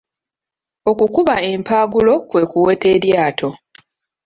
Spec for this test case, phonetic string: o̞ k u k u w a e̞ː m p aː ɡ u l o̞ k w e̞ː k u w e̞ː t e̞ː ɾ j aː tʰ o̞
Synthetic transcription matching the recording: o̞ k u k u β a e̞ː m p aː ɡ u l o̞ k w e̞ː k u w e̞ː t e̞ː ɾ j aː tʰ o̞

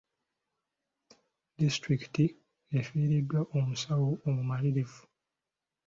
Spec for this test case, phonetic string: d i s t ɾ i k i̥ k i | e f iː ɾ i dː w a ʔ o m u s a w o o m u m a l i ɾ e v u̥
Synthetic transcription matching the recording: d i s t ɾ i k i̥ t i | e f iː ɾ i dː w a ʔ o m u s a w o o m u m a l i ɾ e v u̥

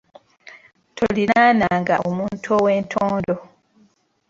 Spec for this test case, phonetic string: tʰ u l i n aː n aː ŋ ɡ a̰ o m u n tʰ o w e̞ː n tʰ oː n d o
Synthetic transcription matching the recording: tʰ o l i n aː n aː ŋ ɡ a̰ o m uː n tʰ o w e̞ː n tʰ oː n d o

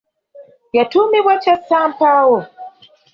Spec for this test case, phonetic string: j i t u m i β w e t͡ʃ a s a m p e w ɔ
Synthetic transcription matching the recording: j a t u m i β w a t͡ʃ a s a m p a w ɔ

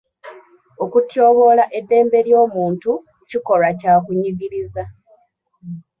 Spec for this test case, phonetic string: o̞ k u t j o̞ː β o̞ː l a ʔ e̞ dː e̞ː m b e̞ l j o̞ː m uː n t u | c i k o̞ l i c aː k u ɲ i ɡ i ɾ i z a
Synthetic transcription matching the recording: o̞ k u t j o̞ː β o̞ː l a ʔ e̞ dː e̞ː m b e̞ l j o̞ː m uː n t u | c i k o̞ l a c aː k u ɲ i ɡ i ɾ i z a

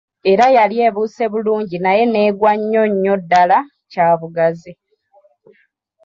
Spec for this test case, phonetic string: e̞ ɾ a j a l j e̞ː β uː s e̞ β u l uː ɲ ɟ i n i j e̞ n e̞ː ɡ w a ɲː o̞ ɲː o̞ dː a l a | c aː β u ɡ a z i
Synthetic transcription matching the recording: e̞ ɾ a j a l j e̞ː β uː s e̞ β u l uː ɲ ɟ i n a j e̞ n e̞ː ɡ w a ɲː o̞ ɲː o̞ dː a l a | c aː β u ɡ a z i

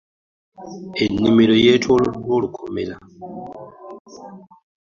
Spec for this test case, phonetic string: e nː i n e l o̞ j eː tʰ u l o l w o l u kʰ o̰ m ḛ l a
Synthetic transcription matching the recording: e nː i m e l o̞ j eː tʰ o l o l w o l u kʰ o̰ m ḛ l a

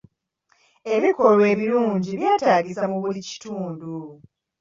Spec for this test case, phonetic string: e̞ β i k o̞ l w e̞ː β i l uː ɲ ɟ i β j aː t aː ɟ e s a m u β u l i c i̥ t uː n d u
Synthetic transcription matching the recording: e̞ β i k o̞ l w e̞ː β i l uː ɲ ɟ i β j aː t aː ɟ i s a m u β u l i c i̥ t uː n d u

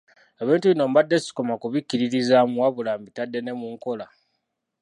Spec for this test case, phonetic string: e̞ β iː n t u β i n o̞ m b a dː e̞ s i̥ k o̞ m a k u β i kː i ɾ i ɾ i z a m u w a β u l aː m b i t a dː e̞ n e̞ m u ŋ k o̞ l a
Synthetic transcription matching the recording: e̞ β iː n t u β i n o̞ m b a dː e̞ s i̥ k o̞ m a k u β i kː i ɾ i ɾ i z a m u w a β u l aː m b i t a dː e̞ n e̞ m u ŋ k o̞ l a

